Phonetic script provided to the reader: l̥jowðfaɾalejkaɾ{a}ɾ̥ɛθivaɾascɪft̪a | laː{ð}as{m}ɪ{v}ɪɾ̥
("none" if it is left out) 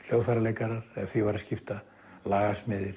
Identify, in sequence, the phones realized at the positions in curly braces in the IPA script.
a, ɣ, m, ð

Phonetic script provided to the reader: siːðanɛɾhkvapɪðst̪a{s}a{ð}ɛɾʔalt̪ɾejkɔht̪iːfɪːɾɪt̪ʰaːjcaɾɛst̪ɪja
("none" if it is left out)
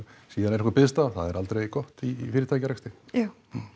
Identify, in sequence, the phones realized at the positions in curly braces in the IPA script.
θ, ð

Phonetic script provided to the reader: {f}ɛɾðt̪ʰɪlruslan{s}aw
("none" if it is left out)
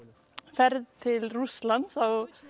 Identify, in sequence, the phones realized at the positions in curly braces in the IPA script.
f, s

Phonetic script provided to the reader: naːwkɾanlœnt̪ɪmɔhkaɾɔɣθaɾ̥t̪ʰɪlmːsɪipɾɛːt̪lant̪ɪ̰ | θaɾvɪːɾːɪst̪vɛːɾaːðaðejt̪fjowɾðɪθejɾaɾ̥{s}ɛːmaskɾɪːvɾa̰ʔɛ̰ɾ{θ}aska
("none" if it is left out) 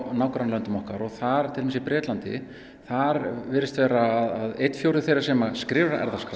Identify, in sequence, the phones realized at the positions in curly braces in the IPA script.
s, ð

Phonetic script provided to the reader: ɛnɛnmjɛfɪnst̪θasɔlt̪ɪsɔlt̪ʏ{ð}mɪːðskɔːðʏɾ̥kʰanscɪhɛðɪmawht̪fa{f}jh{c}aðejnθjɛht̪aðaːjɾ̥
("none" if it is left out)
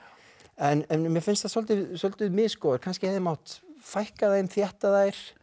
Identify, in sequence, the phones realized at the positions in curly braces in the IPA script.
ð, none, k

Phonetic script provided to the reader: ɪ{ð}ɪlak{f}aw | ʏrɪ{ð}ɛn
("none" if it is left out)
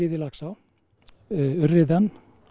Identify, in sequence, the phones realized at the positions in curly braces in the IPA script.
ð, s, ð

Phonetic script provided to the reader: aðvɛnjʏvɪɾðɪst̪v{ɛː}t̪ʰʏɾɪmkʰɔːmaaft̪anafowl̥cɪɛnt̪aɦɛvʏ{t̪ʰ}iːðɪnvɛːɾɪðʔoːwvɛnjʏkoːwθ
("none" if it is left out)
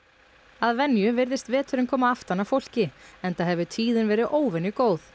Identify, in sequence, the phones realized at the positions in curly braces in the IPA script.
ɛː, t̪ʰ

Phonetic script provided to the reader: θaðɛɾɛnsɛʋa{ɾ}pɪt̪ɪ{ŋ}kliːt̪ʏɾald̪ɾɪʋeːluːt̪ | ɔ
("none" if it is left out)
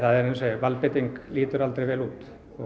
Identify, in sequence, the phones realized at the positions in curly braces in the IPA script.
l, ŋ

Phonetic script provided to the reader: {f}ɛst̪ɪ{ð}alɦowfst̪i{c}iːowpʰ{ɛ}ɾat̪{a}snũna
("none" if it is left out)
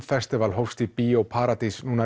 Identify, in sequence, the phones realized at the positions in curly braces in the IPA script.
f, v, p, a, i

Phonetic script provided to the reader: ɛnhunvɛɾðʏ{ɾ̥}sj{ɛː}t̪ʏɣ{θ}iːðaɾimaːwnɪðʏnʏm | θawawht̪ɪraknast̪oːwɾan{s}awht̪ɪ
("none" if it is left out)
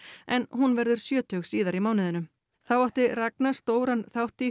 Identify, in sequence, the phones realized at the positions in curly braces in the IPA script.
ɾ̥, œː, s, θ

